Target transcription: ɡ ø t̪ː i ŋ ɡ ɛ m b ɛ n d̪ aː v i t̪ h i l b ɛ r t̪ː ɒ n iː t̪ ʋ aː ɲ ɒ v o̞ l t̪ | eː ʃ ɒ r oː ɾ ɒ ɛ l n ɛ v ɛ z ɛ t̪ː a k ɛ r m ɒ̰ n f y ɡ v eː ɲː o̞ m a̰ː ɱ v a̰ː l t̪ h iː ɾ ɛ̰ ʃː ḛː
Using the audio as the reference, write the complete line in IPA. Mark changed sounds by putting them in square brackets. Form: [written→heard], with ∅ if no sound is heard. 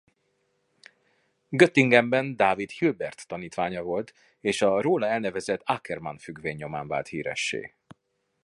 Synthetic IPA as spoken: ɡ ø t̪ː i ŋ ɡ ɛ m b ɛ n d̪ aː v i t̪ h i l b ɛ r t̪ː ɒ n iː t̪ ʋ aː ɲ ɒ v o̞ l t̪ | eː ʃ ɒ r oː [ɾ→l] ɒ ɛ l n ɛ v ɛ z ɛ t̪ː a k ɛ r m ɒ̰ n f y ɡ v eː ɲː o̞ m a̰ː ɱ v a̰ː l t̪ h iː ɾ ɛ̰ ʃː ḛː